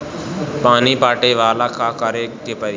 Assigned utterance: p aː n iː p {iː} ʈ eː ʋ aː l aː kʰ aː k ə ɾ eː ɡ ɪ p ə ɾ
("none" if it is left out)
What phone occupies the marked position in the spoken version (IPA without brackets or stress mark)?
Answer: aː